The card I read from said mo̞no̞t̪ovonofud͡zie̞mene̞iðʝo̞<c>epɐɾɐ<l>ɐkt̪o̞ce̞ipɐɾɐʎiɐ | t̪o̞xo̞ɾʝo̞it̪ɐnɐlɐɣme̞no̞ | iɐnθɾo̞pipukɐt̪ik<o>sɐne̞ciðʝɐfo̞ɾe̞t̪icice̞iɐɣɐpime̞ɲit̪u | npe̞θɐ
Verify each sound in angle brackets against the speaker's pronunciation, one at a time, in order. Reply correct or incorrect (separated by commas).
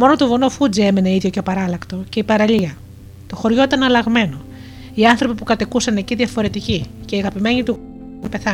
correct, correct, incorrect